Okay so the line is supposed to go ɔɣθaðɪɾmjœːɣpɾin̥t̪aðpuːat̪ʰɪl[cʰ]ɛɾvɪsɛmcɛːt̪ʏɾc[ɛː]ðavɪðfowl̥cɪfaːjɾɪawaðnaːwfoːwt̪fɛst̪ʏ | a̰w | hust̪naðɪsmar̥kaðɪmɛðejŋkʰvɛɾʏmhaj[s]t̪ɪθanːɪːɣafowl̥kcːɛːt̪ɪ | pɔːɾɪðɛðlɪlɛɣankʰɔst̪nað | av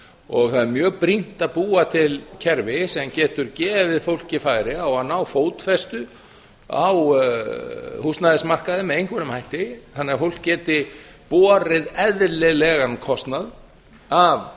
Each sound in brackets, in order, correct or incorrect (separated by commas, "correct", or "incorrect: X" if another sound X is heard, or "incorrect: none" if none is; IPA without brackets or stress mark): correct, correct, incorrect: h